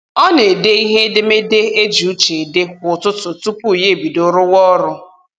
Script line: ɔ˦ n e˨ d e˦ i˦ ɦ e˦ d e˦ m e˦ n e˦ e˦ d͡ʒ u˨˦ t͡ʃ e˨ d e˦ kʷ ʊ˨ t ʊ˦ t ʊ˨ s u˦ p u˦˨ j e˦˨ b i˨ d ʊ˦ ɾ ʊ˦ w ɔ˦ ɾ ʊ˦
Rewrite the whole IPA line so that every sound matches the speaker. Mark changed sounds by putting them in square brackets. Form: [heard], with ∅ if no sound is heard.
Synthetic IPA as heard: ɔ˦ n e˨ d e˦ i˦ ɦ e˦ d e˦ m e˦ [d] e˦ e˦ d͡ʒ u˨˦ t͡ʃ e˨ d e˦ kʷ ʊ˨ t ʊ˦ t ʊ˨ [t] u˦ p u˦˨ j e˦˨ b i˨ d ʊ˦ ɾ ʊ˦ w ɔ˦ ɾ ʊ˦